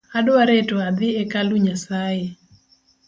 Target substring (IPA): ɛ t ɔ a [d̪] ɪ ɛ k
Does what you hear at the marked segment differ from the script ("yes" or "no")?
no